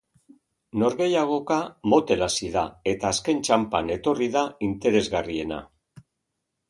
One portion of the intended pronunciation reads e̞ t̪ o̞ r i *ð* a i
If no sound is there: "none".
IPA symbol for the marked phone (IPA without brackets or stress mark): ð